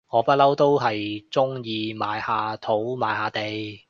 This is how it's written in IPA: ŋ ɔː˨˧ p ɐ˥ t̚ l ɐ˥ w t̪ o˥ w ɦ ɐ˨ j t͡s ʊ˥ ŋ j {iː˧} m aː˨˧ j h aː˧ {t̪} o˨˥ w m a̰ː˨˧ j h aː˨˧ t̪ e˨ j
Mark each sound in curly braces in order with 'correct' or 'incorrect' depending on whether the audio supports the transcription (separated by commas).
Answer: correct, incorrect